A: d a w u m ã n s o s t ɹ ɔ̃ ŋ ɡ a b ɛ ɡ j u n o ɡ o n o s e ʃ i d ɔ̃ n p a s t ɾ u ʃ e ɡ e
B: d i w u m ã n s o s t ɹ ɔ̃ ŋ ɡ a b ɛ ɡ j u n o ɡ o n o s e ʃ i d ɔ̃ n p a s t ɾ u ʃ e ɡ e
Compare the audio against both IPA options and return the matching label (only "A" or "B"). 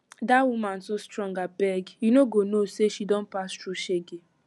A